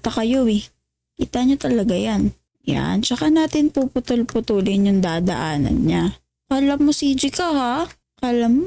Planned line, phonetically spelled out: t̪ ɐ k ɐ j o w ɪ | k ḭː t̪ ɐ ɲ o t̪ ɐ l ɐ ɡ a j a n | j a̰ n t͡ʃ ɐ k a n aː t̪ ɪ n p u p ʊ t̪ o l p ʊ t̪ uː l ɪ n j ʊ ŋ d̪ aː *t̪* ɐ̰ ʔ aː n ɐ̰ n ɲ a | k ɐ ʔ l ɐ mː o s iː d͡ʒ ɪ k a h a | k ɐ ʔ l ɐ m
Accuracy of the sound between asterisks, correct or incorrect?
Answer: incorrect